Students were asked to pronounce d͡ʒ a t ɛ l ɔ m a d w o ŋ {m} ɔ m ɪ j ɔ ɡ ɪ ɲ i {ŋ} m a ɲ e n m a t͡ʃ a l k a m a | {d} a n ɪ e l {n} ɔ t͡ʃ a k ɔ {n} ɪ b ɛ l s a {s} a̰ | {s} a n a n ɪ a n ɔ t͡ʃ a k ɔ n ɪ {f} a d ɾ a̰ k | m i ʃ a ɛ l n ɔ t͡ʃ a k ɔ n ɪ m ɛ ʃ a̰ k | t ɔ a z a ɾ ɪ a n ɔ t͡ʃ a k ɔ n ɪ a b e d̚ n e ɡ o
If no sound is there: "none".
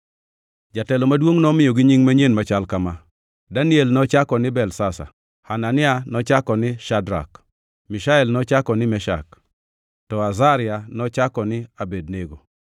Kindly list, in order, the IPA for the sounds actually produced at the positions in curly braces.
n, ŋ, d, n, n, s, h, ʃ

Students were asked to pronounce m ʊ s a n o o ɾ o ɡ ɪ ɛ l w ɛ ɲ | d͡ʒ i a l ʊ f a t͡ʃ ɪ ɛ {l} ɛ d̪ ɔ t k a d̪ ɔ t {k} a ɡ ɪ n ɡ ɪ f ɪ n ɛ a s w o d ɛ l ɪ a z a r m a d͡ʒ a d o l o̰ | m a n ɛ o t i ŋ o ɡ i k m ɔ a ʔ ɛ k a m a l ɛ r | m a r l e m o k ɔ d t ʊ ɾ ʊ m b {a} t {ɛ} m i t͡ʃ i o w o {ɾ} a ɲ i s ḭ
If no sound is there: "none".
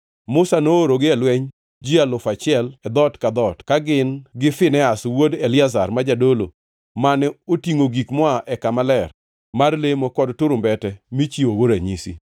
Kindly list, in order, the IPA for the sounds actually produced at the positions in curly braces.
l, k, ɛ, ɛ, ɾ

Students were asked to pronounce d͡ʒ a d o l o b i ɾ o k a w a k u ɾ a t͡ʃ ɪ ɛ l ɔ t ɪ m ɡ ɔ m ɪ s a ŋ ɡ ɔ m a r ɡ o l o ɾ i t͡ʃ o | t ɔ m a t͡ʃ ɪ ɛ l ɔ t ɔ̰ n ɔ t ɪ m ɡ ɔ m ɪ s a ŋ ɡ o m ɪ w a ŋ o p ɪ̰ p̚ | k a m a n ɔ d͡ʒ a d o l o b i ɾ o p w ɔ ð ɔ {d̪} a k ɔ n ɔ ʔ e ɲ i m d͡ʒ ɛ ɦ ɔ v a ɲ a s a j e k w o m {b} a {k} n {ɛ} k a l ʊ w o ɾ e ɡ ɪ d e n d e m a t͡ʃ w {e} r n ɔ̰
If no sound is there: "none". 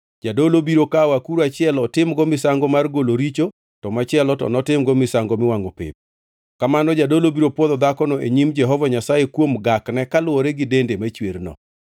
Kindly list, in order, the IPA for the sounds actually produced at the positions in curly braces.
d̪, ɡ, k, ɛ, e

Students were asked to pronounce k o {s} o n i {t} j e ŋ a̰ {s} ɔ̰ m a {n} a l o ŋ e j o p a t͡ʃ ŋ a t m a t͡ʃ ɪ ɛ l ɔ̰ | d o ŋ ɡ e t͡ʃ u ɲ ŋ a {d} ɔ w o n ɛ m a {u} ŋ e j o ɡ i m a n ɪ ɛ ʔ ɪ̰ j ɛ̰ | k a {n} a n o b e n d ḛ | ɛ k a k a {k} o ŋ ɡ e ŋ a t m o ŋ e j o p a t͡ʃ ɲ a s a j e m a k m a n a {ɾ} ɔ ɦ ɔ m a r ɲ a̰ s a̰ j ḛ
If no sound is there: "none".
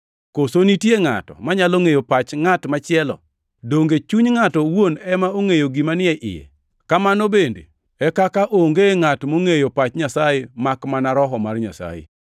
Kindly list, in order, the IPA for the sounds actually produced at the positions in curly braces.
s, t, t, ɲ, t, o, m, ʔ, ɾ

